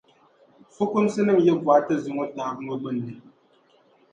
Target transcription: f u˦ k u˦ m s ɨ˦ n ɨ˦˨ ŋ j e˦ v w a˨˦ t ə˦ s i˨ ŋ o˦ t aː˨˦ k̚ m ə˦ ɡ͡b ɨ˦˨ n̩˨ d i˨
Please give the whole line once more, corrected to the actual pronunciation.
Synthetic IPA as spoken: f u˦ k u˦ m s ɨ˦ n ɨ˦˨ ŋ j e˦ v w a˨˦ t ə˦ z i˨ ŋ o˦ t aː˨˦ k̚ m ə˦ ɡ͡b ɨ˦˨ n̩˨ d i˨